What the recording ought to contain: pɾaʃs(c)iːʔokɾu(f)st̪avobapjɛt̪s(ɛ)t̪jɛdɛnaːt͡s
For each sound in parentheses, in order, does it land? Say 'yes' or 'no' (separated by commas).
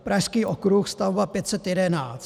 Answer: no, no, yes